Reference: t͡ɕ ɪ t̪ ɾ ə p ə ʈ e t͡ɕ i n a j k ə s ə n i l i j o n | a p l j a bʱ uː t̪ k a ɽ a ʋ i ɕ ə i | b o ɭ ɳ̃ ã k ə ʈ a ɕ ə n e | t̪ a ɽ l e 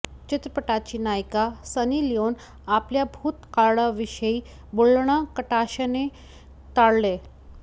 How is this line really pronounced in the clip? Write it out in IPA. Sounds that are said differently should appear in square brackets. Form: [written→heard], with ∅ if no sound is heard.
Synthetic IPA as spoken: t͡ɕ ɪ t̪ ɾ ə p ə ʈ [e→a] t͡ɕ i n a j k [ə→a] s ə n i l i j o n | a p l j a bʱ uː t̪ k a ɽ a ʋ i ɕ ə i | b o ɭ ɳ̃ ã k ə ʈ a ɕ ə n e | t̪ a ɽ l e